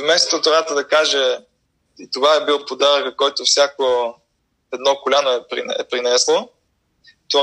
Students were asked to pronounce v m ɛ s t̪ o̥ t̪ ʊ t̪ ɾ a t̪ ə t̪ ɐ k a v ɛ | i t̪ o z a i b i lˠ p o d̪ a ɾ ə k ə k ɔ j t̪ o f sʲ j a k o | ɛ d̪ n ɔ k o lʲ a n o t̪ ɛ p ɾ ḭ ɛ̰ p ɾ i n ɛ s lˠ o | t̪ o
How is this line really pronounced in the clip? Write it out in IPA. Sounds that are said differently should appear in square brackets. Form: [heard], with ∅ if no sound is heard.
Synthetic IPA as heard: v m ɛ s t̪ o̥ t̪ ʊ t̪ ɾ a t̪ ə [d̪] ɐ k a [ʒ] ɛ | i t̪ o [v] a [ɛ] b i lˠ p o d̪ a ɾ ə k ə k ɔ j t̪ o f sʲ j a k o | ɛ d̪ n ɔ k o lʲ a n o [∅] ɛ p ɾ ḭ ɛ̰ p ɾ i n ɛ s lˠ o | t̪ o